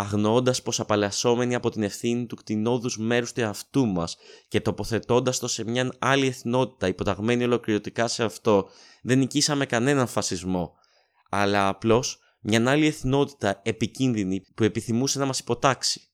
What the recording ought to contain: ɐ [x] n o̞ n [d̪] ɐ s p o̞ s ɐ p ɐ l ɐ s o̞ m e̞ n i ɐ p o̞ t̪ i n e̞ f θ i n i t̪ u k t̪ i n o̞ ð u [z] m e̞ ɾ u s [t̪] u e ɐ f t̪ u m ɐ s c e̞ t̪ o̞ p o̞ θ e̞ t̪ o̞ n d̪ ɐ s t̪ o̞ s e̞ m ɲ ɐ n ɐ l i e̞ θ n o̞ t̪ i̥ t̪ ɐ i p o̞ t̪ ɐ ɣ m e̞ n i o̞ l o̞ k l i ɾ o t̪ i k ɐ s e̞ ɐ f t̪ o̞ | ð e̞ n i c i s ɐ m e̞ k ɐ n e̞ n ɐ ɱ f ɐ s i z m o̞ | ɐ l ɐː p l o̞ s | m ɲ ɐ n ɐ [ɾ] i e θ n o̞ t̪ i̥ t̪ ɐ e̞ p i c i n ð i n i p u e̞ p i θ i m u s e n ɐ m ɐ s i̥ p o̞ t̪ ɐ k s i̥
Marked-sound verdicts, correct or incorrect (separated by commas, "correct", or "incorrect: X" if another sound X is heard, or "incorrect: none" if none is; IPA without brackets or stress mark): incorrect: ɣ, correct, correct, correct, incorrect: l